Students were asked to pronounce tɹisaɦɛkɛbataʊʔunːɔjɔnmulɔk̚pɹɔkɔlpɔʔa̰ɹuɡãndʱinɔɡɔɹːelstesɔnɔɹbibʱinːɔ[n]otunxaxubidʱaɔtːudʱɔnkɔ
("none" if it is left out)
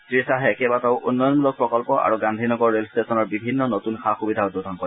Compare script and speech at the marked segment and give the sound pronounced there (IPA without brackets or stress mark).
n